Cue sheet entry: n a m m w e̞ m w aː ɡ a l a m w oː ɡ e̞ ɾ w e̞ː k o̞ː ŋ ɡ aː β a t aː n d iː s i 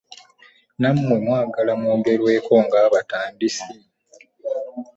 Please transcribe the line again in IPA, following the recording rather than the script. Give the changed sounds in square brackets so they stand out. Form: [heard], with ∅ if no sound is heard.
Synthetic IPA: n a m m w e̞ m w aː ɡ a l a m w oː ɡ e̞ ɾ w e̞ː k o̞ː ŋ ɡ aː β a t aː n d [i] s i